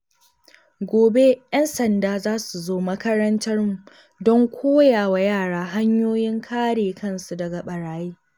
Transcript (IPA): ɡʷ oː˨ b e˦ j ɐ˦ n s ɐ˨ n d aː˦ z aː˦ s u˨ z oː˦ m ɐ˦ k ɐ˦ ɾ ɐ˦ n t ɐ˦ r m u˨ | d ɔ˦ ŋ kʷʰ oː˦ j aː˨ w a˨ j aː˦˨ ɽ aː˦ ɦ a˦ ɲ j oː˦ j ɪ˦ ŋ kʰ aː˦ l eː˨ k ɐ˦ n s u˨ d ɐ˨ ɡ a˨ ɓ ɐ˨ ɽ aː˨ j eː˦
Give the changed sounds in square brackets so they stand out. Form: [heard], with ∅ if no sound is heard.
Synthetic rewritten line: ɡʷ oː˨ b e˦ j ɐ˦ n s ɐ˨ n d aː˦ z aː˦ s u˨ z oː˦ m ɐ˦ k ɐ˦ ɾ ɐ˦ n t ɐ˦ r m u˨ | d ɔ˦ ŋ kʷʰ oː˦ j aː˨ w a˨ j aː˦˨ ɽ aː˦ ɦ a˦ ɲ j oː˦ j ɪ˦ ŋ kʰ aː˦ [ɽ] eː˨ k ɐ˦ n s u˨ d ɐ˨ ɡ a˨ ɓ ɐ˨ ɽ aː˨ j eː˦

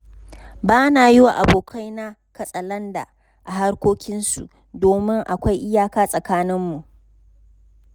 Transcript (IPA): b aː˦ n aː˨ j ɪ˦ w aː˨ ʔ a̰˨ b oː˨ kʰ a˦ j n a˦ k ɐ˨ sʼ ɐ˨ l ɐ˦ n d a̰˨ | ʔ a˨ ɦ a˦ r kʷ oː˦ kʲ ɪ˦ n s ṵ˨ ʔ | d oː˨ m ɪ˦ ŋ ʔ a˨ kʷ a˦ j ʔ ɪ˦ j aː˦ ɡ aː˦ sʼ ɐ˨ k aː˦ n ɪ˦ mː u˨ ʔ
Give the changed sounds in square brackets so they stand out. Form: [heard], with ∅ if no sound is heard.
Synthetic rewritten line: b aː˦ n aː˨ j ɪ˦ w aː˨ ʔ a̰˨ b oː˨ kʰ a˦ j n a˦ k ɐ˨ sʼ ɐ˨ l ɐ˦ n d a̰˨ | ʔ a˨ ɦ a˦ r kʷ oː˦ kʲ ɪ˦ n s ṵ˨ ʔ | d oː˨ m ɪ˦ ŋ ʔ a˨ kʷ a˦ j ʔ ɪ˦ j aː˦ [k] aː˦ sʼ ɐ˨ k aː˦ n ɪ˦ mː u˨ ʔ

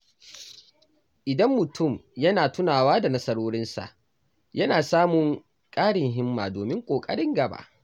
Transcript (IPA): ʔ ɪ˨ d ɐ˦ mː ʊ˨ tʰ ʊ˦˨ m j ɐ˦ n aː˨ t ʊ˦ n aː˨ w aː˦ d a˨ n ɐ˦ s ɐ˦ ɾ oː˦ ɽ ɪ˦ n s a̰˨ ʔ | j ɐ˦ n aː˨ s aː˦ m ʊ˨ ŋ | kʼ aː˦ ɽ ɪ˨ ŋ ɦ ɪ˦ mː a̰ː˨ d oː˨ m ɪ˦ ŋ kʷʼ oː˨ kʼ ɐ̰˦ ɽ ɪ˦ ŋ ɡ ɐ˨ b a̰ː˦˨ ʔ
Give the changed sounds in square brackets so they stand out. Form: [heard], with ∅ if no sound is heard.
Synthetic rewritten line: ʔ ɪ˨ d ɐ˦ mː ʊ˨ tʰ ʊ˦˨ m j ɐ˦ n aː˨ t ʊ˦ n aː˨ w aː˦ d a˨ n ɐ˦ s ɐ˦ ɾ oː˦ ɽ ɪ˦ n s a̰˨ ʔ | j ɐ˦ n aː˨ s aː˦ m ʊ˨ ŋ | kʼ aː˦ ɽ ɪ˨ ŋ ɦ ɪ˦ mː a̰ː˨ d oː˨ m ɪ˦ ŋ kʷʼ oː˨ kʼ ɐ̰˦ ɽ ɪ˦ ŋ ɡ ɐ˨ b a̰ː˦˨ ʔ

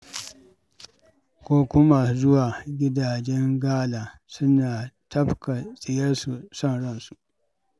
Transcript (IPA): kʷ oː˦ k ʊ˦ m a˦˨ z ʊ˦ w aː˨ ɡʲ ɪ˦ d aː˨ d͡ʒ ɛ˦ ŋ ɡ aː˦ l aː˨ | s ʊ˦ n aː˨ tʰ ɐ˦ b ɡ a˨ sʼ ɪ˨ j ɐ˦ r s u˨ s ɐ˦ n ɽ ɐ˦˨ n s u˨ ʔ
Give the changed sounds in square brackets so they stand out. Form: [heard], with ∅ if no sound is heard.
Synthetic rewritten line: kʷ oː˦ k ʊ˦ m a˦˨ z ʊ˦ w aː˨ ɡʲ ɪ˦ d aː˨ d͡ʒ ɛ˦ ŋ ɡ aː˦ l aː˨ | s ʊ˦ n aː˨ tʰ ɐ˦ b [k] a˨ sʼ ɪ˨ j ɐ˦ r s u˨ s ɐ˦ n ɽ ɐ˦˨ n s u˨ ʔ

